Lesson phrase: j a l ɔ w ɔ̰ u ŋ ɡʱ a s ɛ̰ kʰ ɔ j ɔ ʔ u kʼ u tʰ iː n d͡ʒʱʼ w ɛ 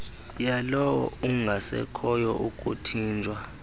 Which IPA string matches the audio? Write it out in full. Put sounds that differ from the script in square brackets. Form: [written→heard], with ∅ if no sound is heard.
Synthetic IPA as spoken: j a l ɔ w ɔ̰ u ŋ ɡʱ a s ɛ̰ kʰ ɔ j ɔ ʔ u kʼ u tʰ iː n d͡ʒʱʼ w [ɛ→a]